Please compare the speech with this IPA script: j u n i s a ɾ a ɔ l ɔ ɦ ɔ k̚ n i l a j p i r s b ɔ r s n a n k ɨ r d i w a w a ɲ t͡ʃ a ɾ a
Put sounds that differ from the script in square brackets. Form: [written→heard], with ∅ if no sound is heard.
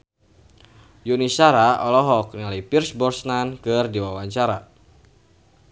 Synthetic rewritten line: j u n i s a ɾ a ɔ l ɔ ɦ ɔ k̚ n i l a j p i r s b ɔ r s n a n k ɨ r d i w a w a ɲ t͡ʃ a ɾ a